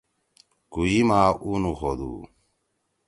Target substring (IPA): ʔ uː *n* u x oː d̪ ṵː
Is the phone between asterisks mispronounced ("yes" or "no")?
no